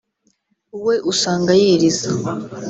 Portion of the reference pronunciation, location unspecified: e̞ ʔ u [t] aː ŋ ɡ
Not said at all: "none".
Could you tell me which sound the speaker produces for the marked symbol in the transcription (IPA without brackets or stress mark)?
s